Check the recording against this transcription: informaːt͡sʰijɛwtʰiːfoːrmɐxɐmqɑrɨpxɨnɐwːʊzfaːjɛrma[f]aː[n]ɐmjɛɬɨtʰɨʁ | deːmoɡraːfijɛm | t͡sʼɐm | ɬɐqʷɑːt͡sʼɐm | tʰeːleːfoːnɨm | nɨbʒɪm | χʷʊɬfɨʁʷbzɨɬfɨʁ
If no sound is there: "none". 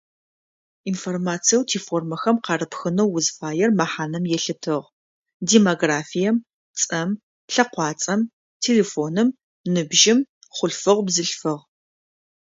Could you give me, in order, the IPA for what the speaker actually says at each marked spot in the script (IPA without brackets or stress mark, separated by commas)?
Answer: ħ, n